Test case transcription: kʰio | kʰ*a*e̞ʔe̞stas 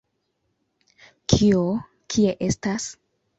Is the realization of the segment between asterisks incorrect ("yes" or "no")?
yes